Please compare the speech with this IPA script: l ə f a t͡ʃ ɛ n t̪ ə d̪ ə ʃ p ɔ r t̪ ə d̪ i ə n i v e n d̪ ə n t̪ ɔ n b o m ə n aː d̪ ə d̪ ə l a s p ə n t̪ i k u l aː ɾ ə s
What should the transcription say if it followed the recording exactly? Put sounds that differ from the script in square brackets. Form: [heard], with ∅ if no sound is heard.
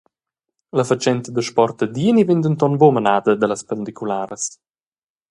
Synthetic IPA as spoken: l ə f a t͡ʃ ɛ n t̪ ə d̪ ə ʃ p ɔ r t̪ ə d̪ i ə n i v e n d̪ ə n t̪ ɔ n b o m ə n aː d̪ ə d̪ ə l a s p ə n [d̪] i k u l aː ɾ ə s